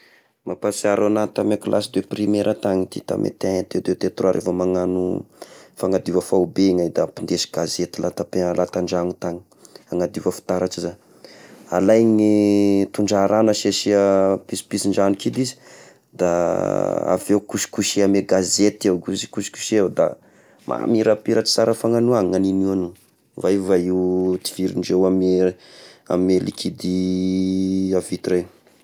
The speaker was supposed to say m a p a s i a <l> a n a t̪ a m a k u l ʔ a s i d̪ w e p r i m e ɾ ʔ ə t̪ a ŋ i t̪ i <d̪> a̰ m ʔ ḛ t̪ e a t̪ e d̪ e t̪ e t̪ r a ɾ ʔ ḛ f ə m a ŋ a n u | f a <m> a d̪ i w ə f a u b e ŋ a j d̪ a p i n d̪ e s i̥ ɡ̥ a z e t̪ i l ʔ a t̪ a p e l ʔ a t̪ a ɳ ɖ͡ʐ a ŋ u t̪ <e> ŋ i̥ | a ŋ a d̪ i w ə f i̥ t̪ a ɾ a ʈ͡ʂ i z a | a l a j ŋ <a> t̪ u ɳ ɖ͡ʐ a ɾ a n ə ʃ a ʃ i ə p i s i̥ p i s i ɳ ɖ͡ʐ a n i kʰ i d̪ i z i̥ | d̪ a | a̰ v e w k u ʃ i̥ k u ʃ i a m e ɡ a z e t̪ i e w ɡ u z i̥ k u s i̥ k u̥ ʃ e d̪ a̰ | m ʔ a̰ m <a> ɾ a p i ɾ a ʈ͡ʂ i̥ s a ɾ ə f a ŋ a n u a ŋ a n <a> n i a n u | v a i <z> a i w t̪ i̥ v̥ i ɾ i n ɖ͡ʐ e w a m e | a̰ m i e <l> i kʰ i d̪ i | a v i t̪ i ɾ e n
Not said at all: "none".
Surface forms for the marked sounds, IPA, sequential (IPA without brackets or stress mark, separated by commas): ɾ, t̪, ŋ, a, i, i, i, v, l